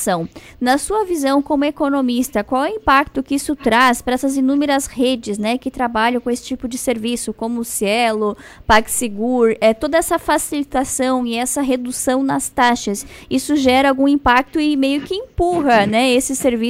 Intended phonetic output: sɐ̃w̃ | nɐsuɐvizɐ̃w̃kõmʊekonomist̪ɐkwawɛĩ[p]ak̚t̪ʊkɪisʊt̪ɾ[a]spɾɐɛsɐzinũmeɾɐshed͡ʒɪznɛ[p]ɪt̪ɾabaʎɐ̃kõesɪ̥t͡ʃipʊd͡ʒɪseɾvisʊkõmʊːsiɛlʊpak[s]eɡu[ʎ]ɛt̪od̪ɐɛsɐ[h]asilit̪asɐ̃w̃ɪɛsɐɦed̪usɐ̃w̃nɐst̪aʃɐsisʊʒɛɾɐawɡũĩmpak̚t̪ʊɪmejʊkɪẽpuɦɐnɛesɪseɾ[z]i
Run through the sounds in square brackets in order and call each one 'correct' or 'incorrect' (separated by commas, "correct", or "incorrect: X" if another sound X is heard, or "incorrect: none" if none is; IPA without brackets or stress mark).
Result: correct, correct, incorrect: k, correct, incorrect: ɾ, incorrect: f, incorrect: v